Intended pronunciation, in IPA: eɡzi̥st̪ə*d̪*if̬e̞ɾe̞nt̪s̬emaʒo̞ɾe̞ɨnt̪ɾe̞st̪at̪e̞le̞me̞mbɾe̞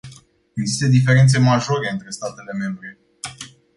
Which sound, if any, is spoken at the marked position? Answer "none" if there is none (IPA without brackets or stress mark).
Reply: d̪